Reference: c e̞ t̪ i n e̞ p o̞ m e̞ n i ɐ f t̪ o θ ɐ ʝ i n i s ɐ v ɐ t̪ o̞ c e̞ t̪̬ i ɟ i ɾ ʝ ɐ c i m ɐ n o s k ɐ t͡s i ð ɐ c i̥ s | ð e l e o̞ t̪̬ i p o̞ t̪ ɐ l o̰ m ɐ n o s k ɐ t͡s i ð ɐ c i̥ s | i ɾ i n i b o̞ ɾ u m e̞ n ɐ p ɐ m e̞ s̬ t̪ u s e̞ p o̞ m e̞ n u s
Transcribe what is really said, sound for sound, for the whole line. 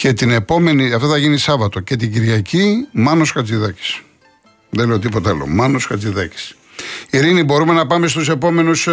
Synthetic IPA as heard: c e̞ t̪ i n e̞ p o̞ m e̞ n i ɐ f t̪ o θ ɐ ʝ i n i s ɐ v ɐ t̪ o̞ c e̞ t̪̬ i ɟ i ɾ ʝ ɐ c i m ɐ n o s k ɐ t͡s i ð ɐ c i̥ s | ð e l e o̞ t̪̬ i p o̞ t̪ ɐ l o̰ m ɐ n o s k ɐ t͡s i ð ɐ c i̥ s | i ɾ i n i b o̞ ɾ u m e̞ n ɐ p ɐ m e̞ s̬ t̪ u s e̞ p o̞ m e̞ n u s